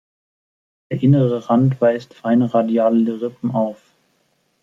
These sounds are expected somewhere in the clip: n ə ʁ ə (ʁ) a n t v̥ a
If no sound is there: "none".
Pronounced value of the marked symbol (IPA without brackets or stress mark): ʁ